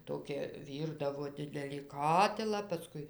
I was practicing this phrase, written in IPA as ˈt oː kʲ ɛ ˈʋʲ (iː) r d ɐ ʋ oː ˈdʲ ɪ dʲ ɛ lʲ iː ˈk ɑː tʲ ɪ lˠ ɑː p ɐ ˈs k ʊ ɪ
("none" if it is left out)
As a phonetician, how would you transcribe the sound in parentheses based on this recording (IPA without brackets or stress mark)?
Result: iː